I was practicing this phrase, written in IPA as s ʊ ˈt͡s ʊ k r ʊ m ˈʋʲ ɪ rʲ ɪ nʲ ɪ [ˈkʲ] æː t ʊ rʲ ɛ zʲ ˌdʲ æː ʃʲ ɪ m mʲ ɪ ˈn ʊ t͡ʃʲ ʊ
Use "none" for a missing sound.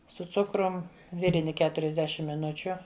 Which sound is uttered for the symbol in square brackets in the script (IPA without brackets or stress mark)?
kʲ